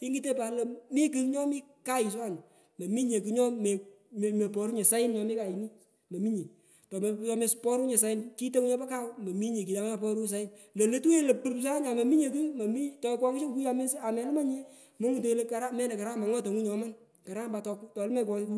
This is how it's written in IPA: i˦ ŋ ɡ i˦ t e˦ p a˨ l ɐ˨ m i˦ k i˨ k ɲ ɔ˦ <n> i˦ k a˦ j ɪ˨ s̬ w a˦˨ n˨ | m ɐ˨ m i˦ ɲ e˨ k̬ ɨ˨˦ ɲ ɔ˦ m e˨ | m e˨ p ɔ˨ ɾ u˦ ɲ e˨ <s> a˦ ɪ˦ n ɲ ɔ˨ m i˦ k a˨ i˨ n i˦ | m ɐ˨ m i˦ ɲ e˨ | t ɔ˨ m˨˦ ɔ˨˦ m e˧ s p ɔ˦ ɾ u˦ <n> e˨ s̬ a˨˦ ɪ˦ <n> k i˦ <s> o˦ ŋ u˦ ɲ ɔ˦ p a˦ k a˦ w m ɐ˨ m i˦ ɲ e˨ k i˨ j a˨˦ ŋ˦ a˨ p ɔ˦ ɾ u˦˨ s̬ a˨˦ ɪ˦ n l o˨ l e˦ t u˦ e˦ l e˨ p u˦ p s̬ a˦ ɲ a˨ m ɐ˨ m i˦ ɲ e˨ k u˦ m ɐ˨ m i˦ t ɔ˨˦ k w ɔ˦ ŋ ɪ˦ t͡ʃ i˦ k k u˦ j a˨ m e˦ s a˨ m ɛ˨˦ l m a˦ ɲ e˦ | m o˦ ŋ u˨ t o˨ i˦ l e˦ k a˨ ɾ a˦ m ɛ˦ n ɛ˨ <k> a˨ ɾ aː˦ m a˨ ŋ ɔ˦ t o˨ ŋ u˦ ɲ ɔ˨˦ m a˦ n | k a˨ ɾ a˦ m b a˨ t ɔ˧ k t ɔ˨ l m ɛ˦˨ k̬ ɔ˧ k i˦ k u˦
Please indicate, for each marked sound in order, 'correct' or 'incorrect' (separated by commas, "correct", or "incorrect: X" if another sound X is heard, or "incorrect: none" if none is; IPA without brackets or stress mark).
incorrect: m, correct, incorrect: ɲ, correct, incorrect: t, correct